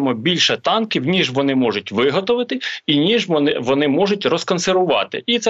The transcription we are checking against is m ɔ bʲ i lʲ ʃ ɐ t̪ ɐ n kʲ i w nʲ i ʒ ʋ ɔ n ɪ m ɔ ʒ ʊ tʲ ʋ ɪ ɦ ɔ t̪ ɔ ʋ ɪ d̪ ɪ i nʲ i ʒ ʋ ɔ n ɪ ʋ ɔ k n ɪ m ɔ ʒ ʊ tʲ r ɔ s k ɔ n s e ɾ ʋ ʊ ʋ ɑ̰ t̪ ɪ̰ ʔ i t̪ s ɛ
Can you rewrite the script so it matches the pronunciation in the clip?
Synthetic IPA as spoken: m ɔ bʲ i lʲ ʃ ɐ t̪ ɑ n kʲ i w nʲ i ʒ ʋ ɔ n ɪ m ɔ ʒ ʊ tʲ ʋ ɪ ɦ ɔ t̪ ɔ ʋ ɪ t̪ ɪ i nʲ i ʒ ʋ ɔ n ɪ ʋ ɔ n ɪ m ɔ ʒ ʊ tʲ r ɔ s k ɔ n s e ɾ ʋ ʊ ʋ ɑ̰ t̪ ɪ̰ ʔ i t̪ s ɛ